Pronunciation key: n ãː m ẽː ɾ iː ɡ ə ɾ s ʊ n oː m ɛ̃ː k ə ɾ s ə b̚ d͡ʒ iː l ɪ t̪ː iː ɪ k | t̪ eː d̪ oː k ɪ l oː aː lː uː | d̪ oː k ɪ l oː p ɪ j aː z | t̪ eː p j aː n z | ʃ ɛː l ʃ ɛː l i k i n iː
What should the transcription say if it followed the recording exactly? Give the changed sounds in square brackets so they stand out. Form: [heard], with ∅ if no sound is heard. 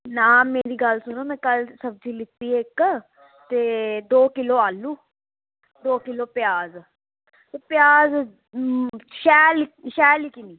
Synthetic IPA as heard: n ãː m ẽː ɾ iː ɡ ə [l] s ʊ n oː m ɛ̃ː k ə [l] s ə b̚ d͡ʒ iː l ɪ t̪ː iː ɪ k | t̪ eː d̪ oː k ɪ l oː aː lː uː | d̪ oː k ɪ l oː p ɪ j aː z | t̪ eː p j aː [∅] z | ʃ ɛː l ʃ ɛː l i k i n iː